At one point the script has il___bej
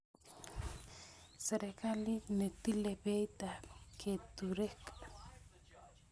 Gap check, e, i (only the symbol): e